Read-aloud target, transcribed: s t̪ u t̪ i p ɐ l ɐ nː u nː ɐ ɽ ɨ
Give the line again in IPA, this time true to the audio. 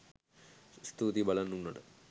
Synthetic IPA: s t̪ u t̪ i b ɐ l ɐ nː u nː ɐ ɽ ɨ